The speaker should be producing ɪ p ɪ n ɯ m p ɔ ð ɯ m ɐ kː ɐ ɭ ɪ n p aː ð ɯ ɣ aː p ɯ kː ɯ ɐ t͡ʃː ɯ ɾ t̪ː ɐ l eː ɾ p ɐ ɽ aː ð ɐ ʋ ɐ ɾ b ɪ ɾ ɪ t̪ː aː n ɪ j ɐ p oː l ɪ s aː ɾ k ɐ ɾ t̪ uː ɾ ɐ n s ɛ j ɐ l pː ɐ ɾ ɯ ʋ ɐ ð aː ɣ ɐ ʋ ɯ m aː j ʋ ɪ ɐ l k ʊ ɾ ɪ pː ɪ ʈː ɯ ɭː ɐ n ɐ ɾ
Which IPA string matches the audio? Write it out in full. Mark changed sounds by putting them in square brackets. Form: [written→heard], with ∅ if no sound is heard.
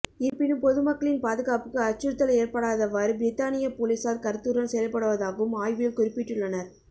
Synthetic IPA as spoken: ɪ p ɪ n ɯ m p ɔ ð ɯ m ɐ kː ɐ ɭ ɪ n p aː ð ɯ ɣ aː p ɯ kː ɯ ɐ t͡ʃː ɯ ɾ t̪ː ɐ l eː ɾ p ɐ ɽ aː ð ɐ ʋ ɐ ɾ b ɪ ɾ ɪ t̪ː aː n ɪ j ɐ p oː l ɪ s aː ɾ k ɐ ɾ t̪ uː ɾ ɐ n s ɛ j ɐ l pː ɐ [ɾ→ɽ] ɯ ʋ ɐ ð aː ɣ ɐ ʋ ɯ m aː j ʋ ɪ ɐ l k ʊ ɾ ɪ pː ɪ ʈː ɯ ɭː ɐ n ɐ ɾ

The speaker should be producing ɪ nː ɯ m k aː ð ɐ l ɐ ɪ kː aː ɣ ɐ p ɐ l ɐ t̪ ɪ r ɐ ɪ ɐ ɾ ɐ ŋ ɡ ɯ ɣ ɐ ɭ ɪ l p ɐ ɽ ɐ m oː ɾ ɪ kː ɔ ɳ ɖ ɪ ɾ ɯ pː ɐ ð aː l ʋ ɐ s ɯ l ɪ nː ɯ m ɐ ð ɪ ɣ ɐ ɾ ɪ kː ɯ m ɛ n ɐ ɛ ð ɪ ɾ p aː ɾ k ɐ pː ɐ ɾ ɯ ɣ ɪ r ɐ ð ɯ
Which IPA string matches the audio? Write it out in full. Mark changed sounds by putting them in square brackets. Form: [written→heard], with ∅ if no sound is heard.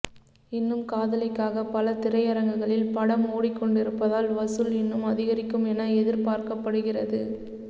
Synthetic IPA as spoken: ɪ nː ɯ m k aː ð ɐ l ɐ ɪ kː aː ɣ ɐ p ɐ l ɐ t̪ ɪ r ɐ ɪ ɐ ɾ ɐ ŋ ɡ ɯ ɣ ɐ ɭ ɪ l p ɐ ɽ ɐ m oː [ɾ→ɽ] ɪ kː ɔ ɳ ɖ ɪ ɾ ɯ pː ɐ ð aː l ʋ ɐ s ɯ l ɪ nː ɯ m ɐ ð ɪ ɣ ɐ ɾ ɪ kː ɯ m ɛ n ɐ ɛ ð ɪ ɾ p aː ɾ k ɐ pː ɐ [ɾ→ɽ] ɯ ɣ ɪ r ɐ ð ɯ

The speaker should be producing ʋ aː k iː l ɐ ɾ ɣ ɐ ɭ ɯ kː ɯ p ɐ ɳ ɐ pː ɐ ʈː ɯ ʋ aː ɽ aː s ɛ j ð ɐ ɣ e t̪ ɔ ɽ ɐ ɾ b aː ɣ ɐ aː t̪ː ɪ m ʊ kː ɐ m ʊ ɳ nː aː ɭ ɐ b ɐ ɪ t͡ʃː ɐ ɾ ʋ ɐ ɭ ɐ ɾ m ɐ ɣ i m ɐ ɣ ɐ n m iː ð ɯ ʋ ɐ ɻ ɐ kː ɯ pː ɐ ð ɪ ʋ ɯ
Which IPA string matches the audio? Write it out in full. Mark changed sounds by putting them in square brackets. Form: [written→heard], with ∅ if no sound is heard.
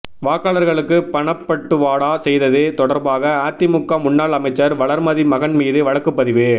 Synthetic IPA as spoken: ʋ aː k [iː→aː] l ɐ ɾ ɣ ɐ ɭ ɯ kː ɯ p ɐ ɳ ɐ pː ɐ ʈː ɯ ʋ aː ɽ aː s ɛ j ð ɐ [ɣ→ð] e t̪ ɔ ɽ ɐ ɾ b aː ɣ ɐ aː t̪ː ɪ m ʊ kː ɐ m ʊ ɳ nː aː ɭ ɐ [b→m] ɐ ɪ t͡ʃː ɐ ɾ ʋ ɐ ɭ ɐ ɾ m ɐ [ɣ→ð] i m ɐ ɣ ɐ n m iː ð ɯ ʋ ɐ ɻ ɐ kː ɯ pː ɐ ð ɪ ʋ ɯ

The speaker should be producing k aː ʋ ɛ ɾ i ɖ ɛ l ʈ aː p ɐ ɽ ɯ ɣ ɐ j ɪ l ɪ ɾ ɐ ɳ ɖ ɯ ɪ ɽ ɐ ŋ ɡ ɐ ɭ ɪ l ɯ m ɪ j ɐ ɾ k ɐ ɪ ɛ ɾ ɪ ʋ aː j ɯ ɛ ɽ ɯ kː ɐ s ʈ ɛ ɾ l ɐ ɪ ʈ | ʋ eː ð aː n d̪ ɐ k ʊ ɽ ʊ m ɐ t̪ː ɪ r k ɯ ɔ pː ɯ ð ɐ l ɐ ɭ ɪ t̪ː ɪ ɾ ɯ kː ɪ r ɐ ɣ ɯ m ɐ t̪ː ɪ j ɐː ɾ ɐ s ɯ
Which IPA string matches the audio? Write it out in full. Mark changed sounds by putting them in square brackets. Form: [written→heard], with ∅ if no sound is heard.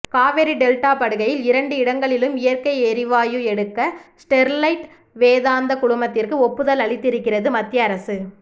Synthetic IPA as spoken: k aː ʋ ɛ ɾ i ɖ ɛ l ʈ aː p ɐ ɽ ɯ ɣ ɐ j ɪ l ɪ ɾ ɐ ɳ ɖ ɯ ɪ ɽ ɐ ŋ ɡ ɐ ɭ ɪ l ɯ m ɪ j ɐ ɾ k ɐ ɪ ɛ ɾ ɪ ʋ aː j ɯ ɛ ɽ ɯ kː ɐ s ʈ ɛ ɾ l ɐ ɪ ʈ | ʋ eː ð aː n d̪ ɐ k ʊ ɽ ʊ m ɐ t̪ː ɪ r k ɯ ɔ pː ɯ ð ɐ l ɐ ɭ ɪ t̪ː ɪ ɾ ɯ kː ɪ r ɐ [ɣ→ð] ɯ m ɐ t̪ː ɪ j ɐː ɾ ɐ s ɯ

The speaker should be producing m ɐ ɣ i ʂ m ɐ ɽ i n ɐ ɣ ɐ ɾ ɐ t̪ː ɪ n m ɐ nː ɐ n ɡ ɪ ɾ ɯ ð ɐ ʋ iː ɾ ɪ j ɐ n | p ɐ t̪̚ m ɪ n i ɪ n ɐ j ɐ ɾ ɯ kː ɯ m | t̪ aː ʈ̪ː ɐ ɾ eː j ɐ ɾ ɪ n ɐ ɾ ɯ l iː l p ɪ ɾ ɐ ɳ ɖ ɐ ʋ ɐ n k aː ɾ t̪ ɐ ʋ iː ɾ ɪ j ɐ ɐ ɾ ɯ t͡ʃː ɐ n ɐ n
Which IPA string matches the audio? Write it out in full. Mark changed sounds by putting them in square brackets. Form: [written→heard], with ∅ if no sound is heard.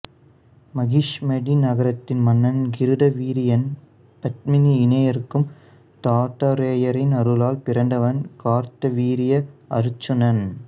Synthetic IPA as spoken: m ɐ ɣ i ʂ m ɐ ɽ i n ɐ ɣ ɐ ɾ ɐ t̪ː ɪ n m ɐ nː ɐ n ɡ ɪ ɾ ɯ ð ɐ ʋ iː ɾ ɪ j ɐ n | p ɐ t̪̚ m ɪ n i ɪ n ɐ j ɐ ɾ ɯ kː ɯ m | t̪ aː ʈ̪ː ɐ ɾ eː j ɐ ɾ ɪ n ɐ ɾ ɯ l [iː→aː] l p ɪ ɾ ɐ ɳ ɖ ɐ ʋ ɐ n k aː ɾ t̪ ɐ ʋ iː ɾ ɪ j ɐ ɐ ɾ ɯ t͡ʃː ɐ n ɐ n

